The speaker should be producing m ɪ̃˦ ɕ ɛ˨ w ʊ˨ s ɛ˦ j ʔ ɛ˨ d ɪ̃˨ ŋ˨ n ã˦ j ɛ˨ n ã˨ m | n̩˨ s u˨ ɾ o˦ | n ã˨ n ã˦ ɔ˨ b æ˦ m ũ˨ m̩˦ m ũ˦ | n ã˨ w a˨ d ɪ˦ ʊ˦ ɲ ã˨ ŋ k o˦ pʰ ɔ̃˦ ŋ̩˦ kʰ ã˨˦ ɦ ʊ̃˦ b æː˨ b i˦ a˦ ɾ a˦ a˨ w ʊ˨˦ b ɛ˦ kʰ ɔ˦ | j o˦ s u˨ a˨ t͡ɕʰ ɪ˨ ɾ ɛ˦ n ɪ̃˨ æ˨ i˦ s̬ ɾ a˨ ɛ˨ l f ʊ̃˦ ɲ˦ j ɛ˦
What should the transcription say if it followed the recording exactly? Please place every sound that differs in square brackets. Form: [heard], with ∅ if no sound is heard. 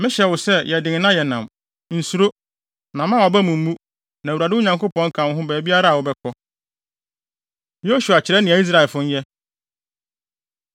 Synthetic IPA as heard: m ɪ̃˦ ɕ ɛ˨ w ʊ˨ s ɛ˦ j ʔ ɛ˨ d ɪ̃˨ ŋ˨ n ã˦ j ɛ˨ n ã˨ m | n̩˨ s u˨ ɾ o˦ | n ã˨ [m] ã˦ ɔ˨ b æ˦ m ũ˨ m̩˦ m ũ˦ | n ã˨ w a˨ d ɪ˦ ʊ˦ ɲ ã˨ ŋ k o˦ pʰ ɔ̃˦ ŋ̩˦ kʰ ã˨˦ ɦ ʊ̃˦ b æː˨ b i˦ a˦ ɾ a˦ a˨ w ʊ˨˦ b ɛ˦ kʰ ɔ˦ | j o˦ s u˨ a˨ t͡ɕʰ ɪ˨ ɾ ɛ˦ n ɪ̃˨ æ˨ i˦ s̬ ɾ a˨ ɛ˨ l f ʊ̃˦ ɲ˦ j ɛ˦